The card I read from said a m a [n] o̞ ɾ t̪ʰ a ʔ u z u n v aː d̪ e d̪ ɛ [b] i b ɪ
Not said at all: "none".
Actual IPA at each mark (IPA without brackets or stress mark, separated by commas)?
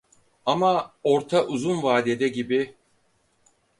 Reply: none, ɟ